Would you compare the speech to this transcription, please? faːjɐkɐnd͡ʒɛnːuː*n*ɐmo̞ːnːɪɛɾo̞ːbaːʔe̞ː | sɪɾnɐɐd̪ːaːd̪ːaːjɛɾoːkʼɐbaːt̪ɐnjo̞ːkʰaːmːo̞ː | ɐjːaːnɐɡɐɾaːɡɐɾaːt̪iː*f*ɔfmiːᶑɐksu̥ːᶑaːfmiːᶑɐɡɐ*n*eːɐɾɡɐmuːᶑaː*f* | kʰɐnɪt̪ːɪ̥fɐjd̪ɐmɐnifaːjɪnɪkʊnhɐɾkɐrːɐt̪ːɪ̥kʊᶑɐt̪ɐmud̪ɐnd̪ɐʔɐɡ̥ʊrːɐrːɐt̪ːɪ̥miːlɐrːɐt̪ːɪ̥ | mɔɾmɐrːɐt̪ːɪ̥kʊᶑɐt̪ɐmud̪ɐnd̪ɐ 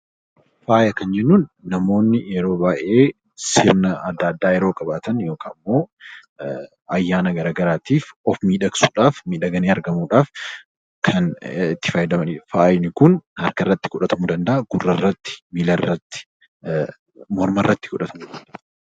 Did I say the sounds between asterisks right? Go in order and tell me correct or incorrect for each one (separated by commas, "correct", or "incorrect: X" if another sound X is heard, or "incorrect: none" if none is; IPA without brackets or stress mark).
incorrect: nː, correct, correct, correct